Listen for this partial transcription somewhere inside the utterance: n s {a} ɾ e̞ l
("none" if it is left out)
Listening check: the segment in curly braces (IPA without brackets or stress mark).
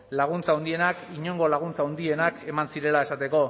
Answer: i